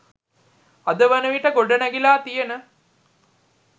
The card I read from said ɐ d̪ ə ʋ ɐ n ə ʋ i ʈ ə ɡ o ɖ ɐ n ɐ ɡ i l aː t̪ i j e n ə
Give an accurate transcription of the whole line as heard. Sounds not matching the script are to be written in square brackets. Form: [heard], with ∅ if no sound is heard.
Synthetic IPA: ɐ d̪ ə ʋ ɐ n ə ʋ i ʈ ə ɡ o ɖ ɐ n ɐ ɡ i l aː t̪ i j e n ə